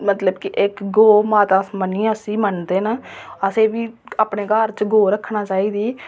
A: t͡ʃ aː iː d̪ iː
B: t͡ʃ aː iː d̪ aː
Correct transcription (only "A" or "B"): A